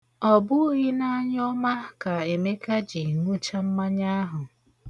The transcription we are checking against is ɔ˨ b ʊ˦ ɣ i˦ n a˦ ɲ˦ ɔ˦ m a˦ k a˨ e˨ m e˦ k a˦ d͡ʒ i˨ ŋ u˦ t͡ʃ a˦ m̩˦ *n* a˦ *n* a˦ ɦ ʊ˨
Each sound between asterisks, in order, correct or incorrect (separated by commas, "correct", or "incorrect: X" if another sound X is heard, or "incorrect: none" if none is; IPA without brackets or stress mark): incorrect: m, incorrect: ɲ